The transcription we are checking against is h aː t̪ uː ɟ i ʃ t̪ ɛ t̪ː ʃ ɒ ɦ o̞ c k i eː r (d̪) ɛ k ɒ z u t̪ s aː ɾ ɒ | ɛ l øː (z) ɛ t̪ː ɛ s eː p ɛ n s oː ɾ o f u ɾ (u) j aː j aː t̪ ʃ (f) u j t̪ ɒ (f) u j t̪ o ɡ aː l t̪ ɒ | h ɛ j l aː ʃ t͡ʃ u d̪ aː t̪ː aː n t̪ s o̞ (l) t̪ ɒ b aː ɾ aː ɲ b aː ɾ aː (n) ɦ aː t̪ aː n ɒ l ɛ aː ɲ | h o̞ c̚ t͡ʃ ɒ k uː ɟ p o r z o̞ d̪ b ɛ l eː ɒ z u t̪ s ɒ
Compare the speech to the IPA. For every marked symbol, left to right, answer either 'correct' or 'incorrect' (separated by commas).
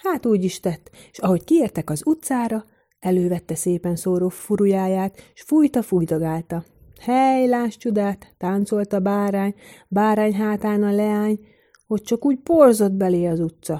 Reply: incorrect, incorrect, correct, correct, correct, correct, incorrect